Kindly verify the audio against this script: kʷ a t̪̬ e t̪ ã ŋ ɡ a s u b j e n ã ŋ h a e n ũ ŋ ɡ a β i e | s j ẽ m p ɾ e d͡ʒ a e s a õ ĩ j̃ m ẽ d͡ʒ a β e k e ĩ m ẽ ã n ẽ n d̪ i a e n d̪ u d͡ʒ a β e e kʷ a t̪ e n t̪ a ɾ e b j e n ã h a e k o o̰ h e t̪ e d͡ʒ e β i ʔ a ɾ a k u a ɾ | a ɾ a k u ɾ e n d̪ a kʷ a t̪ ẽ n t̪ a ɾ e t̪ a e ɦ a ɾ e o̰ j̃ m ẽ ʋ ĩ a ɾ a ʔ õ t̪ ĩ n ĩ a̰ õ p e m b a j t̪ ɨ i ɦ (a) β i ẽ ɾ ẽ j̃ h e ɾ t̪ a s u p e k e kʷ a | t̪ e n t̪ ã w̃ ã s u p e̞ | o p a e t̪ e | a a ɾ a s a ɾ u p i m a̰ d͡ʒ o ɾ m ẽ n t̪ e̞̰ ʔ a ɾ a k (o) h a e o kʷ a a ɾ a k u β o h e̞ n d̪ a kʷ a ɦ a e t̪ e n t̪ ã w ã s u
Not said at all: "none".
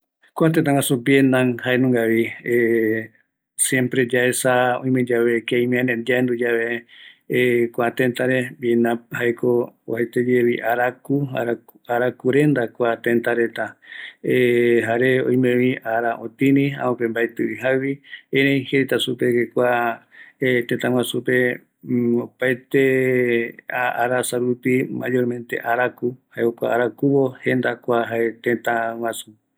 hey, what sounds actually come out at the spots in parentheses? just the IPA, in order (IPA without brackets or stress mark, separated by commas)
a, u